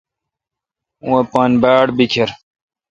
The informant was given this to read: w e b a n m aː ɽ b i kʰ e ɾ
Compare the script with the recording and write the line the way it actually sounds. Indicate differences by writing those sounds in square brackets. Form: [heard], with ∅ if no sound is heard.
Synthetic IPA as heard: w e [p] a n [b] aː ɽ b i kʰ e ɾ

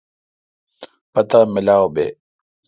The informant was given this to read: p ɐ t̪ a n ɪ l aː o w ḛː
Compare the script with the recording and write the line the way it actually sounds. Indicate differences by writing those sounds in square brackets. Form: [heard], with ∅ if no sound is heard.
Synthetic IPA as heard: p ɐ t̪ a [m] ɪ l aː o [b] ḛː

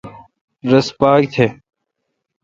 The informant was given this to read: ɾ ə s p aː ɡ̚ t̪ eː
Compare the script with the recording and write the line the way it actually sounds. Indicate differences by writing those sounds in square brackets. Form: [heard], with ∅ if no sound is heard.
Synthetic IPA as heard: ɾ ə s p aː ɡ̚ [t̪ʰ] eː

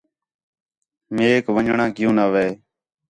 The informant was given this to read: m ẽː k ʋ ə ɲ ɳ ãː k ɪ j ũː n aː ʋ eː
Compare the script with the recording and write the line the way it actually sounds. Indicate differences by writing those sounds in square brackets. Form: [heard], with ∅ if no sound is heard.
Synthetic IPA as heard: m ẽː k ʋ ə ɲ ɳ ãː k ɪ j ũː n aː ʋ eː

